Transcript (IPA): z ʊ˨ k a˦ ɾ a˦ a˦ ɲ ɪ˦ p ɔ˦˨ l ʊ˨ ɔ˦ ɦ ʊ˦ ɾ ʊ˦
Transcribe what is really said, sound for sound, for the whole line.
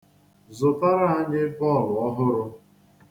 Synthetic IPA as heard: z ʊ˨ t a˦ ɾ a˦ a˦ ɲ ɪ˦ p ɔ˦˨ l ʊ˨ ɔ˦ ɦ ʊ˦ ɾ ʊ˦